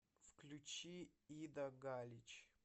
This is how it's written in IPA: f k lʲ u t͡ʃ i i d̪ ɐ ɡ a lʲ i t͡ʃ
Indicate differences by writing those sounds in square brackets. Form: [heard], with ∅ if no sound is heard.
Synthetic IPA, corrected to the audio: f k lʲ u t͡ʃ i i d̪ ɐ ɡ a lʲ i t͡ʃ